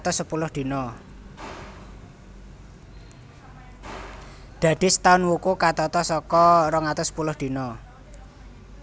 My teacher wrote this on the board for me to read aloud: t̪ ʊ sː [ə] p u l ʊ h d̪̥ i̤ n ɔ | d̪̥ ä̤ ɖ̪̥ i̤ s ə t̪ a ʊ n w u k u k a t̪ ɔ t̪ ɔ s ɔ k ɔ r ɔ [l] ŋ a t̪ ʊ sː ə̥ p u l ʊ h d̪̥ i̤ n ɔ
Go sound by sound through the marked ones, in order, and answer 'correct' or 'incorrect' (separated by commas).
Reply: correct, incorrect